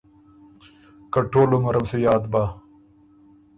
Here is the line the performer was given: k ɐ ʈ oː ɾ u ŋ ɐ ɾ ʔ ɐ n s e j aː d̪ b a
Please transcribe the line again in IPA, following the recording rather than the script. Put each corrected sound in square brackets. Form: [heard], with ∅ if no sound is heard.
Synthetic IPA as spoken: k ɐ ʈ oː [l] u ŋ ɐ ɾ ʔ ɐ [m] s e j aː d̪ b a